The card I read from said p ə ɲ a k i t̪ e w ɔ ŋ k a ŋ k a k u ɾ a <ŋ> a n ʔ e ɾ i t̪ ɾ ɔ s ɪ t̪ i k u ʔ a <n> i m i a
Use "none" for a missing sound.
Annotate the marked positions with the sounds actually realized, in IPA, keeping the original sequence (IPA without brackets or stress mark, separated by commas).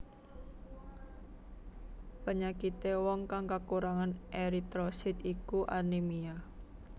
ŋ, n